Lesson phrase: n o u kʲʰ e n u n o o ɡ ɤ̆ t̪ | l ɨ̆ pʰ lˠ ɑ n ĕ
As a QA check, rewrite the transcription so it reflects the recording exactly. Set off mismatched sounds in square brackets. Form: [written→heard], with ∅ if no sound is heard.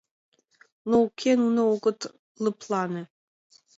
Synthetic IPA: n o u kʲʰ e n u n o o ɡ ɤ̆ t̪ | l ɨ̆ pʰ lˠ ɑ n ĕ